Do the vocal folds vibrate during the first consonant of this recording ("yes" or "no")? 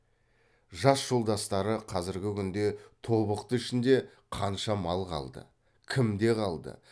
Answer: yes